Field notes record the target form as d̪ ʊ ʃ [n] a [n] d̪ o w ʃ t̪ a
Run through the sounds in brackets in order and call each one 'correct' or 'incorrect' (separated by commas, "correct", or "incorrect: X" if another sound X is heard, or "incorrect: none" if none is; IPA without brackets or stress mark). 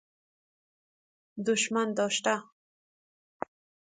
incorrect: m, correct